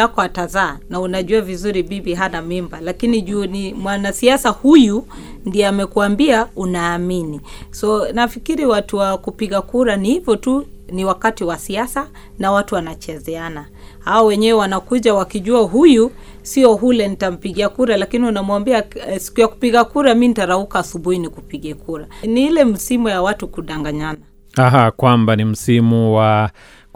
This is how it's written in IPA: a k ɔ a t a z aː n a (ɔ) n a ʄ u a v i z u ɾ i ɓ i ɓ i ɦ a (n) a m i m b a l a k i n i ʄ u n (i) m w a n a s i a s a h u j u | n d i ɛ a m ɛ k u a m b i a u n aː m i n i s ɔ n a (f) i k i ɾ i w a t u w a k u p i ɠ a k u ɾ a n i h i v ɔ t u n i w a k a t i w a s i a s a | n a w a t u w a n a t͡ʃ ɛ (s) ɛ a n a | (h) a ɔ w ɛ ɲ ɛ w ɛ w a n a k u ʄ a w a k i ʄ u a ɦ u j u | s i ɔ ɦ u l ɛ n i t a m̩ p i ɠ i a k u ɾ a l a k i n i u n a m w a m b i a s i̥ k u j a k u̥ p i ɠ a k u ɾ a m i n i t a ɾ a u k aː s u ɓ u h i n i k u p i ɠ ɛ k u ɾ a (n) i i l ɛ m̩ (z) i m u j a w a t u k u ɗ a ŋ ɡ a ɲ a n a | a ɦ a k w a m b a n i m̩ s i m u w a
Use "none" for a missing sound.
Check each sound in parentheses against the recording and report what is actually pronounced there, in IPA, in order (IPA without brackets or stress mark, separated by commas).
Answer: u, n, i, f, z, h, n, s